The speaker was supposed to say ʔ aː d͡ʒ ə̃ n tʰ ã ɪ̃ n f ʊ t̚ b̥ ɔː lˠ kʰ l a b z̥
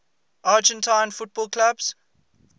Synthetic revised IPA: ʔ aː d͡ʒ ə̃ n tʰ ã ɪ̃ n f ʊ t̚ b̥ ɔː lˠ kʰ l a b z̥

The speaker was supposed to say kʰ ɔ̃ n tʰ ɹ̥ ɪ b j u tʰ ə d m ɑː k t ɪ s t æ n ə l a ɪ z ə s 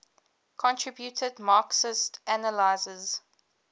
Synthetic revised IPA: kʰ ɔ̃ n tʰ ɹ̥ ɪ b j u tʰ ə d m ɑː k s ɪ s t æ n ə l a ɪ z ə z

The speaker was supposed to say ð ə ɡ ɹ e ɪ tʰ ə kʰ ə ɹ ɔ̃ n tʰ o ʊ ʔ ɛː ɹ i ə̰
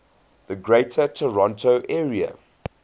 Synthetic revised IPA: ð ə ɡ ɹ e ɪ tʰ ə tʰ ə ɹ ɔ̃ n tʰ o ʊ ʔ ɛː ɹ i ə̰

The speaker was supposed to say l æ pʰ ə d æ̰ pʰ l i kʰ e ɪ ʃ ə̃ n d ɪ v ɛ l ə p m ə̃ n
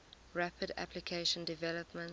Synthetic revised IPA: ɹ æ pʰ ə d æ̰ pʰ l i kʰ e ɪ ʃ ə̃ n d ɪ v ɛ l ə p m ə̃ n

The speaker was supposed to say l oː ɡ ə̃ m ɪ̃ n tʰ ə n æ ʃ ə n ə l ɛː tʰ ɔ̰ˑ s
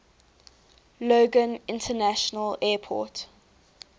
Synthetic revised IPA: l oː ɡ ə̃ n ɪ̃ n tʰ ə n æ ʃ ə n ə l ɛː pʰ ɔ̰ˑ t

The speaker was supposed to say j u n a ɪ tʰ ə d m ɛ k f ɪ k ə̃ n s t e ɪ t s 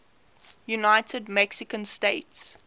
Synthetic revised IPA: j u n a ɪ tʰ ə d m ɛ k s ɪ k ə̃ n s t e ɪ t s

